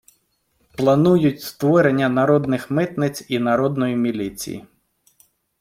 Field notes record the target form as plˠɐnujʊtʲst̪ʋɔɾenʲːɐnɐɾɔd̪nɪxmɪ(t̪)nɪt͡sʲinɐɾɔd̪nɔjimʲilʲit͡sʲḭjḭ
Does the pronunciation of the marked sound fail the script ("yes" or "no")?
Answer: no